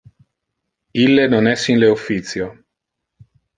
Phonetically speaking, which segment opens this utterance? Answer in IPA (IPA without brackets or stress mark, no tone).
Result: i